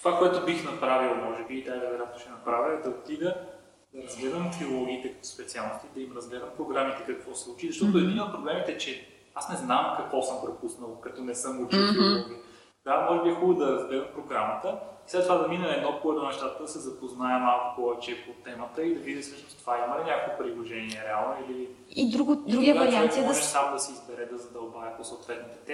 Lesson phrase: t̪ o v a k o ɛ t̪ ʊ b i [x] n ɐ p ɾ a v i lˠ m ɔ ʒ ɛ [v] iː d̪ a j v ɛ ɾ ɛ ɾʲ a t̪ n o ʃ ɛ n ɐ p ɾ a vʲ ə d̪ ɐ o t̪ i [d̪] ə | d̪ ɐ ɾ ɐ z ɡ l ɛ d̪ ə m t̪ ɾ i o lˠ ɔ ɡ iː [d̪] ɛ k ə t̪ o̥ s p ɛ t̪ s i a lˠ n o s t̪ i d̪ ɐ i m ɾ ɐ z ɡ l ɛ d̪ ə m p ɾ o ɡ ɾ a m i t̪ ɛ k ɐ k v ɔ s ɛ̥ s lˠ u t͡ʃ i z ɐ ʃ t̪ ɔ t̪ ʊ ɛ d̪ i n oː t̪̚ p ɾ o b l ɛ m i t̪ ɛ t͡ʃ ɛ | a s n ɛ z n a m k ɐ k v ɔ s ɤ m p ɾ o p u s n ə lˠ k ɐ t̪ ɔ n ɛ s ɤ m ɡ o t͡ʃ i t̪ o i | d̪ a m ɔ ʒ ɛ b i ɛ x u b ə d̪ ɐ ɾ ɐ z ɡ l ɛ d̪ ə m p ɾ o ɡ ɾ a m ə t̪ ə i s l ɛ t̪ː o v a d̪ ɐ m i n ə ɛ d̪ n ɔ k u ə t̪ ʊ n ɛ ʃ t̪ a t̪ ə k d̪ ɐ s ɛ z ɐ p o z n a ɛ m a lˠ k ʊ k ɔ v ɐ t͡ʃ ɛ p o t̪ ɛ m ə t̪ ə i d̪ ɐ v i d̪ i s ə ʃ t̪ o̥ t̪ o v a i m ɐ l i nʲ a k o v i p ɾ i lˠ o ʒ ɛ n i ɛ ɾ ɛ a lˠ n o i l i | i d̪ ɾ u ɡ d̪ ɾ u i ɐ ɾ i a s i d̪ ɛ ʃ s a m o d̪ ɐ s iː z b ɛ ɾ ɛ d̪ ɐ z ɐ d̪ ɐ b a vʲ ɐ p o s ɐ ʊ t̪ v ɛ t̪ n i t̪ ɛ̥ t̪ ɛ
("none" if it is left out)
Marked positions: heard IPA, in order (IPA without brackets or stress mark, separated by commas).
x, b, d̪, t̪